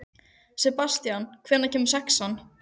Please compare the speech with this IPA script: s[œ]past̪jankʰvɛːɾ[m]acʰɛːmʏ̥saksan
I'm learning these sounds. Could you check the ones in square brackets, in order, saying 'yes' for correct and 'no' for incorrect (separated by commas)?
no, no